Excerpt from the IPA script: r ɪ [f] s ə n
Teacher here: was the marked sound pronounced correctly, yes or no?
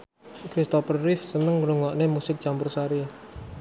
yes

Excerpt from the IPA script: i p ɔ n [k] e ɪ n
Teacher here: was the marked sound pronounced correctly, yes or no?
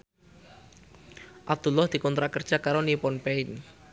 no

